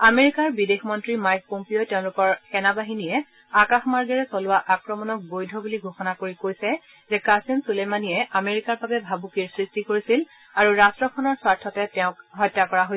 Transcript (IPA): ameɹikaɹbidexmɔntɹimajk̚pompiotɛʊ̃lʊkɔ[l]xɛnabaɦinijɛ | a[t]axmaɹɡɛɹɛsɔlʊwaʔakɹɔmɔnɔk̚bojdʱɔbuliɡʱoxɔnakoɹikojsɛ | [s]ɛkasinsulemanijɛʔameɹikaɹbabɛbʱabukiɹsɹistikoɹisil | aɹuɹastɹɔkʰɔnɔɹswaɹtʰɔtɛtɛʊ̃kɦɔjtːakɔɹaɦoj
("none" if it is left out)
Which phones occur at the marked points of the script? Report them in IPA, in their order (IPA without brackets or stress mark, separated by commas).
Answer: ɹ, k, z